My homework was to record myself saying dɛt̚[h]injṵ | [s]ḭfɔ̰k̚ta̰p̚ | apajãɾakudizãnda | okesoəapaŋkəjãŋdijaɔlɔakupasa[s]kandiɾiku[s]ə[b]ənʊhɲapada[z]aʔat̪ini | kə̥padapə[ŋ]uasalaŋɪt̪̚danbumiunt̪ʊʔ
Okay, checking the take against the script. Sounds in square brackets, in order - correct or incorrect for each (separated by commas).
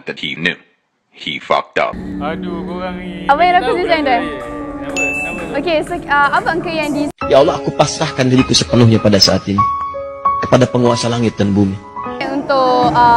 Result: correct, incorrect, incorrect, correct, incorrect, incorrect, correct